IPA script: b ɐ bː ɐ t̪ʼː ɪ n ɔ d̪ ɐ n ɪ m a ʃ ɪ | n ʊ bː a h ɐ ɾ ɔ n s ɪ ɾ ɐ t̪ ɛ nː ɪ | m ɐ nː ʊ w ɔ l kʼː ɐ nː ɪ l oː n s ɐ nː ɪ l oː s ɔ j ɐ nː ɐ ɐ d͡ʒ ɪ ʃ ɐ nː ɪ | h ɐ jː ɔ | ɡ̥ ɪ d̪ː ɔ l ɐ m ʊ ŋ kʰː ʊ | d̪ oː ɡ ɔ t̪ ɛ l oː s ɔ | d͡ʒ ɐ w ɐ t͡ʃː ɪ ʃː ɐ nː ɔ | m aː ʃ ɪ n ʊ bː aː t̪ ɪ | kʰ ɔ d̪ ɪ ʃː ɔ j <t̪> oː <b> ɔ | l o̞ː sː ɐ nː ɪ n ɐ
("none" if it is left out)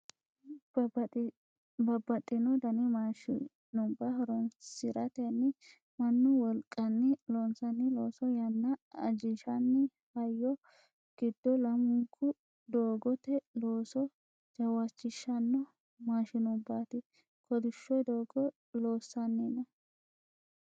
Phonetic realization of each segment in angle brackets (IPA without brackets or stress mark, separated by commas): d̪, ɡ